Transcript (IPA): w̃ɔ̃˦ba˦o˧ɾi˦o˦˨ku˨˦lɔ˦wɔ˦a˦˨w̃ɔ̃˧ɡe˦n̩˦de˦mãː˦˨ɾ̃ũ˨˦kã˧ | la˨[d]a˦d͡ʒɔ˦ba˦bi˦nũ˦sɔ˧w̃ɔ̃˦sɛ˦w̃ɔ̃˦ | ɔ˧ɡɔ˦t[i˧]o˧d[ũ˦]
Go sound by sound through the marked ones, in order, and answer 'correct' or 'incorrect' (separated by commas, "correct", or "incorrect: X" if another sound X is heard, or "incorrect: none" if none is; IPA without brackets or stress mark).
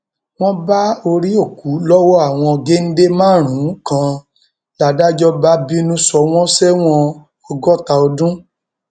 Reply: correct, incorrect: a˧, correct